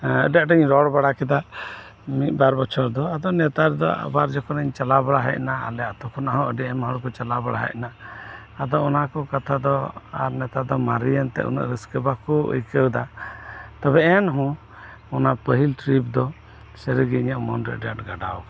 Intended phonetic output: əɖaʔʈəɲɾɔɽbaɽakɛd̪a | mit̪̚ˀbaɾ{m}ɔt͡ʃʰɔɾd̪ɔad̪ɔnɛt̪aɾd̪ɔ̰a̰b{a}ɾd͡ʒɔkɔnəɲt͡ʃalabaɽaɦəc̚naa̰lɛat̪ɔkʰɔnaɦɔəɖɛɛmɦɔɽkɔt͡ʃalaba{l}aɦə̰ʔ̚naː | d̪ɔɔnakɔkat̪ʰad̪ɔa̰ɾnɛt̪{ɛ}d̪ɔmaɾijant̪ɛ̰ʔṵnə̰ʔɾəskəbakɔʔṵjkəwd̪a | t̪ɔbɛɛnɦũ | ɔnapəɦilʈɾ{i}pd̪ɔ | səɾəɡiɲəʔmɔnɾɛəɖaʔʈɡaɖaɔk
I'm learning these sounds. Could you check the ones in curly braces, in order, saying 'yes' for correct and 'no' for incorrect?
no, yes, no, no, yes

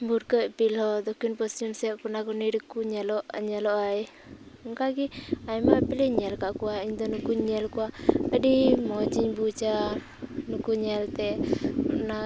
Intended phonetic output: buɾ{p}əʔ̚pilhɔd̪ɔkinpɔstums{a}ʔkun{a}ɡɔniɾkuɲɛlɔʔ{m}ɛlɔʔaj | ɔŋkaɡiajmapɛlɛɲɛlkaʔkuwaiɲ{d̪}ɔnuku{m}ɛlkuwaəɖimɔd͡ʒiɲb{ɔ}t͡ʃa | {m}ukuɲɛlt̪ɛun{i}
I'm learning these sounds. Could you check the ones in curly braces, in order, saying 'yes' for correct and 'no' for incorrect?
no, no, yes, no, yes, no, no, no, no

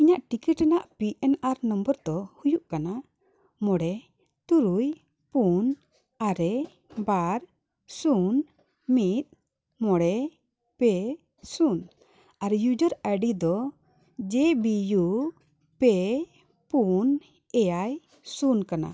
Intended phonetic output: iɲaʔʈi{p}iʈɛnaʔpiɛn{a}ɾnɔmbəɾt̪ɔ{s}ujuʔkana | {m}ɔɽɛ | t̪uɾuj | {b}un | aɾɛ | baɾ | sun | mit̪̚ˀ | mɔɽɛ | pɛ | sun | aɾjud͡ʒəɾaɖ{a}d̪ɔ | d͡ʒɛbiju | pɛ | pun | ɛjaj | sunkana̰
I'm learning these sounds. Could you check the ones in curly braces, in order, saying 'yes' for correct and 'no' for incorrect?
no, yes, no, yes, no, no

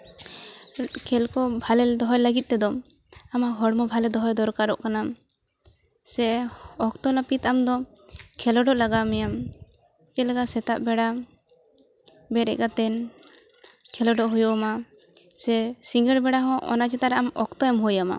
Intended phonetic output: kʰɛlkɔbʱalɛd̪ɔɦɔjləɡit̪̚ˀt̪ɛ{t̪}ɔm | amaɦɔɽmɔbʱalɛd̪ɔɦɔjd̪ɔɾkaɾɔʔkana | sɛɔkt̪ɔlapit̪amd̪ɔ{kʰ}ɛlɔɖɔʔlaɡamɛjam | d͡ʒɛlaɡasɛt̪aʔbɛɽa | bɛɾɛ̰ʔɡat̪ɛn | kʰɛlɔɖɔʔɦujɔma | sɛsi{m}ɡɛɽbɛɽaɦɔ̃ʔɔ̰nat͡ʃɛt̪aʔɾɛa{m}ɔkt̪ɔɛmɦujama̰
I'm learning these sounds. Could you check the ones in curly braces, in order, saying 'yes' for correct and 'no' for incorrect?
no, yes, no, yes

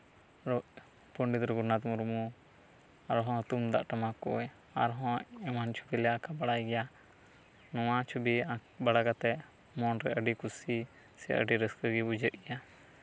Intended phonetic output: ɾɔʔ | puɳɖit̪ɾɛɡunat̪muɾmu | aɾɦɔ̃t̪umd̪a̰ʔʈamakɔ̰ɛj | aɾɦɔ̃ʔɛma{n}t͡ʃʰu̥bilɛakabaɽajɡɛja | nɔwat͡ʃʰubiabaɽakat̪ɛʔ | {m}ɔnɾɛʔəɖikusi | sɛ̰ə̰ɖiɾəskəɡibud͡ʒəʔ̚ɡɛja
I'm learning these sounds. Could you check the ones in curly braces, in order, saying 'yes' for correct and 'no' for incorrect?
yes, yes

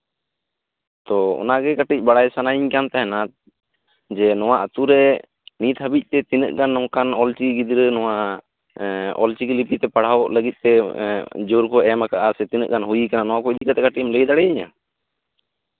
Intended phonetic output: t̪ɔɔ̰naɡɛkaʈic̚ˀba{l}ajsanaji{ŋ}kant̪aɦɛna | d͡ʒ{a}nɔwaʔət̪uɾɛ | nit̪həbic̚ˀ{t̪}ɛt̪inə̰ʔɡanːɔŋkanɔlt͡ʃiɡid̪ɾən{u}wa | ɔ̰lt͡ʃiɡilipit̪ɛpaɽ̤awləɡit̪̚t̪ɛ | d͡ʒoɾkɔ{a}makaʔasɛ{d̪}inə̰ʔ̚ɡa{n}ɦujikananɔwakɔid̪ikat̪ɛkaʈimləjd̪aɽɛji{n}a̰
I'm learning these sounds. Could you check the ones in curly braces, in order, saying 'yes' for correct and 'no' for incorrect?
no, no, no, yes, no, no, no, yes, no

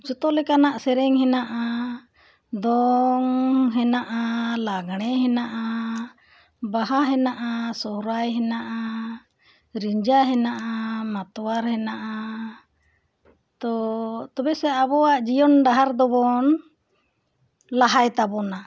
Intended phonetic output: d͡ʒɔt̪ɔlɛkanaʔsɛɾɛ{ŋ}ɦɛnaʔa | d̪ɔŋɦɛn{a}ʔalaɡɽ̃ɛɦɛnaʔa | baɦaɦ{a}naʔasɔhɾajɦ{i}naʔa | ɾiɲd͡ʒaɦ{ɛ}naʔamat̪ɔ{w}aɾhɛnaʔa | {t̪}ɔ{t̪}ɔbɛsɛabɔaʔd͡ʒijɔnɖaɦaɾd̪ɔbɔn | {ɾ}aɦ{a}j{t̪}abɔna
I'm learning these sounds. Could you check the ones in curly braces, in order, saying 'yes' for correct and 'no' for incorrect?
yes, yes, no, no, yes, yes, yes, yes, no, yes, yes

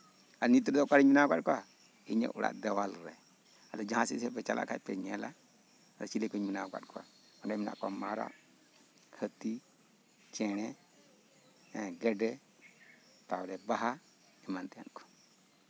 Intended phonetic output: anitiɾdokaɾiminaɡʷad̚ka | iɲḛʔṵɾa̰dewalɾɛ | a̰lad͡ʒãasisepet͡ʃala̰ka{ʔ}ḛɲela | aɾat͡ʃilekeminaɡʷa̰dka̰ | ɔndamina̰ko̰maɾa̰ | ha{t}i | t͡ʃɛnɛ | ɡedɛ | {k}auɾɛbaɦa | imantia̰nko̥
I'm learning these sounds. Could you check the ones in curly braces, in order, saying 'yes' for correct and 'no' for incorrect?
no, yes, no

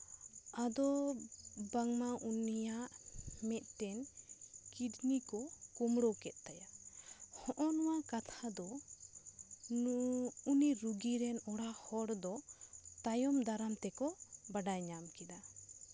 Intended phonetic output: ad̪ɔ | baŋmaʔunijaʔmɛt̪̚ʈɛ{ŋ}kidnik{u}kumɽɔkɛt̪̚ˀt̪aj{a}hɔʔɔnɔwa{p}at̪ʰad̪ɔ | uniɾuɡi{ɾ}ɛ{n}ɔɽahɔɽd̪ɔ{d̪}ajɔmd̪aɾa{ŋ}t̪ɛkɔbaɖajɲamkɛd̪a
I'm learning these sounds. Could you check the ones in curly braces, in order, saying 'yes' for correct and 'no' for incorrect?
no, no, yes, no, yes, yes, no, no

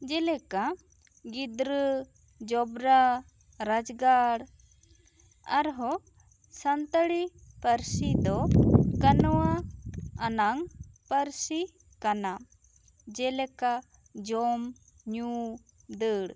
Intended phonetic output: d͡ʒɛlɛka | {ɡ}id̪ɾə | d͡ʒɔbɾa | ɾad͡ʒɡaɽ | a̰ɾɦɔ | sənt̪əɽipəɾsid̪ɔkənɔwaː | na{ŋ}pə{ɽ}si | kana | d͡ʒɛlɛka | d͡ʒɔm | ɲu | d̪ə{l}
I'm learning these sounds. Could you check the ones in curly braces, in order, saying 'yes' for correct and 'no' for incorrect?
yes, yes, no, no

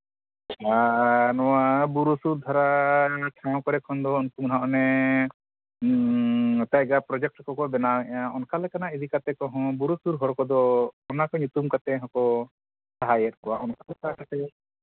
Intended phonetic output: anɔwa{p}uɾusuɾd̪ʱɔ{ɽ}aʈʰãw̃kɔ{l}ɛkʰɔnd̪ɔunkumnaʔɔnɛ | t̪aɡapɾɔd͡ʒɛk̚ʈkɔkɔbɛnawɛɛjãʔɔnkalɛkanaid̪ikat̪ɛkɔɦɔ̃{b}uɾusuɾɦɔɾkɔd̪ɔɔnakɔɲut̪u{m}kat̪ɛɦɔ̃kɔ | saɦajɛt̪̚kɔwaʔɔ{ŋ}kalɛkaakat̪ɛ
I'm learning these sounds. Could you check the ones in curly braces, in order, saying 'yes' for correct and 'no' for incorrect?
no, no, no, yes, yes, no

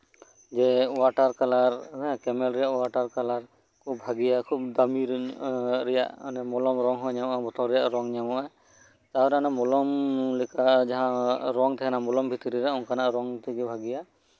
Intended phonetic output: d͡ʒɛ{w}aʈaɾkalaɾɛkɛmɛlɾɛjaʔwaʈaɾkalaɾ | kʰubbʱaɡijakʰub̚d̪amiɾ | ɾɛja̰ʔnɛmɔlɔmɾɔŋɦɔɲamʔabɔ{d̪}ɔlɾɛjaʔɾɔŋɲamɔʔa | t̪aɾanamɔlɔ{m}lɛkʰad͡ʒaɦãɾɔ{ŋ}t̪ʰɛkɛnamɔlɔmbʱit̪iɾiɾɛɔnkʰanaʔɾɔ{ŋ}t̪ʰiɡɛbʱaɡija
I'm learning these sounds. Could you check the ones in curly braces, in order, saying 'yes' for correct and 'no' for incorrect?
yes, no, yes, yes, yes

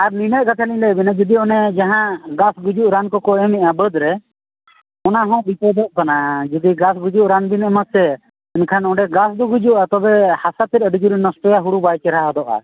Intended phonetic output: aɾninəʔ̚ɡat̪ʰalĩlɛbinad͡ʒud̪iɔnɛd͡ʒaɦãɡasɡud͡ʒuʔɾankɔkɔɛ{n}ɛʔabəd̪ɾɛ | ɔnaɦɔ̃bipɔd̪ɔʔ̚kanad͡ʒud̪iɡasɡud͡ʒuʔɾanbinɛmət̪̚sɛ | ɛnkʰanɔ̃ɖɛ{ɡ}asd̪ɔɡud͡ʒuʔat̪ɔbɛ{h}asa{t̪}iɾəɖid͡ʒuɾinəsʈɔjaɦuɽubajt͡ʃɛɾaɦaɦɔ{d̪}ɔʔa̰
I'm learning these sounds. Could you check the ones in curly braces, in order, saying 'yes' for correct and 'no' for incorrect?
no, yes, yes, yes, yes

